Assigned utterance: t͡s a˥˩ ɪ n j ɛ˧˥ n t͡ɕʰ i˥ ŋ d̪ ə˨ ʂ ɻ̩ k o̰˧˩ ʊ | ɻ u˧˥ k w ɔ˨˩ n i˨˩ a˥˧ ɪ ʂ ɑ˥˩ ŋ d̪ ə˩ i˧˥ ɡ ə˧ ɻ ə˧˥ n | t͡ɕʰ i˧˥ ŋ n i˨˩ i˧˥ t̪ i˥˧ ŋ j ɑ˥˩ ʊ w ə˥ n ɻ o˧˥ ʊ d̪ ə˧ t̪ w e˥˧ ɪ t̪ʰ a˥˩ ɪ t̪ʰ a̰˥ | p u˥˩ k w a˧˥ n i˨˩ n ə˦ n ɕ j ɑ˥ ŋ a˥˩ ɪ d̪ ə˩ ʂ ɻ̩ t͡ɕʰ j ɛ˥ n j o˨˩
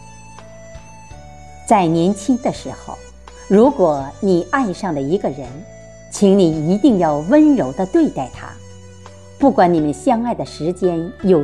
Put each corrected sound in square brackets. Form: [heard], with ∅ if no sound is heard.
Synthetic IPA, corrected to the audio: t͡s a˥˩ ɪ n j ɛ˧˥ n t͡ɕʰ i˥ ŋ d̪ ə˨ ʂ ɻ̩ [x] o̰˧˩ ʊ | ɻ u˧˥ k w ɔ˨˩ n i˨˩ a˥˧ ɪ ʂ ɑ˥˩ ŋ d̪ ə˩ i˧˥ ɡ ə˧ ɻ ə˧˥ n | t͡ɕʰ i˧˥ ŋ n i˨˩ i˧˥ t̪ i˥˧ ŋ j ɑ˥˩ ʊ w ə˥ n ɻ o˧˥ ʊ d̪ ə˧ t̪ w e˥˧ ɪ [t̪] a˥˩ ɪ t̪ʰ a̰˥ | p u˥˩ k w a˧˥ n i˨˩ [m] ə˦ n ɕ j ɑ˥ ŋ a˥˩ ɪ d̪ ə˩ ʂ ɻ̩ [t͡ɕ] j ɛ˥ n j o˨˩